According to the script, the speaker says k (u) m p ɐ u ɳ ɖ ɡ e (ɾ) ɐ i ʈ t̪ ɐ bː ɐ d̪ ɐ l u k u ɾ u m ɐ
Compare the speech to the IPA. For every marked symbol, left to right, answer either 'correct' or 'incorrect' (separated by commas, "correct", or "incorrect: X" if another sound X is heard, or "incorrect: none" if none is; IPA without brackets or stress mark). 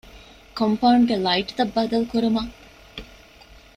incorrect: o, incorrect: l